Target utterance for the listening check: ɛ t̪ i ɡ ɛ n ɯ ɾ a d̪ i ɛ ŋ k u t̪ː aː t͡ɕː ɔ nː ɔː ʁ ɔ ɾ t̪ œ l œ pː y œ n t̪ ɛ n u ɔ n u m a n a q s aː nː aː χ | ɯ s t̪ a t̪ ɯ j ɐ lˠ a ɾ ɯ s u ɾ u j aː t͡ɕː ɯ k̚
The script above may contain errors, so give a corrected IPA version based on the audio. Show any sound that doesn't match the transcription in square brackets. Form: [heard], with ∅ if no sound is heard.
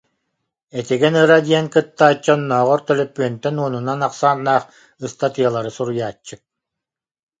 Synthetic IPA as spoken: ɛ t̪ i ɡ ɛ n ɯ ɾ a d̪ i ɛ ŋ k [ɯ] t̪ː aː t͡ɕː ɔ nː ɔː ʁ ɔ ɾ t̪ œ l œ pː y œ n t̪ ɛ n u ɔ n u [n] a n a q s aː nː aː χ | ɯ s t̪ a t̪ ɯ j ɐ lˠ a ɾ ɯ s u ɾ u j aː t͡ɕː ɯ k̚